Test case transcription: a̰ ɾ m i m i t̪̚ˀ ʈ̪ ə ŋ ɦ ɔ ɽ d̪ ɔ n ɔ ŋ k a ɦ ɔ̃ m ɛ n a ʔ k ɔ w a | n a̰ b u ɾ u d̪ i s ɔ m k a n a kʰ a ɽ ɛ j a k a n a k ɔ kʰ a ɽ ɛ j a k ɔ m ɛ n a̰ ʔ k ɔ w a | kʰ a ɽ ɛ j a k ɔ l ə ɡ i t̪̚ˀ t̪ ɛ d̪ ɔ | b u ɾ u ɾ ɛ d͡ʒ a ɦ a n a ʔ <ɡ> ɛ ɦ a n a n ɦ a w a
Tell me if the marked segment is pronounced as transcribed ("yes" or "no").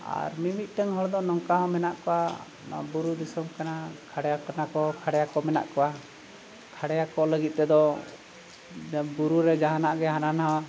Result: yes